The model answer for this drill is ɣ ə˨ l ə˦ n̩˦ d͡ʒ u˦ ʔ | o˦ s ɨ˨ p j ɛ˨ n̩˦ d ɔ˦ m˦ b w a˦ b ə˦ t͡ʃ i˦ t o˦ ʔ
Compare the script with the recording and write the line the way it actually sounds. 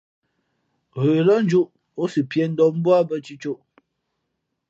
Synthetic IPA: ɣ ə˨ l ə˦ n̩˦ d͡ʒ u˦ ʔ | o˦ s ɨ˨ p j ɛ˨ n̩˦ d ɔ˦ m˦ b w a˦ b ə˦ t͡ʃ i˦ t͡ʃ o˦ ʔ